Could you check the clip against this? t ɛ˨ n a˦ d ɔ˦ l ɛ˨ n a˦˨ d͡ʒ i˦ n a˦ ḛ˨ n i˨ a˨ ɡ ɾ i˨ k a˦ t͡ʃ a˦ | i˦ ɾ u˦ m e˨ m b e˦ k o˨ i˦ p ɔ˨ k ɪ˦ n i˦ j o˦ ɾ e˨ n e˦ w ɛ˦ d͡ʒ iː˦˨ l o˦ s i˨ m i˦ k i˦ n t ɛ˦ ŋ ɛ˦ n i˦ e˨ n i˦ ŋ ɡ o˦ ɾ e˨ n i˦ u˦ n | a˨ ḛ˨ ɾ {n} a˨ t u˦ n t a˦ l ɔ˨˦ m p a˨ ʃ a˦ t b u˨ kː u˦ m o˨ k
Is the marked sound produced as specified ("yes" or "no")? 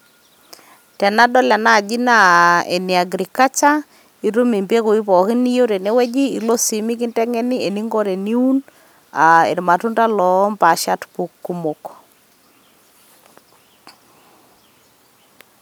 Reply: no